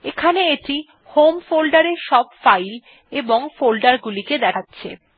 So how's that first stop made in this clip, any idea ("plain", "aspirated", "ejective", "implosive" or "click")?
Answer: aspirated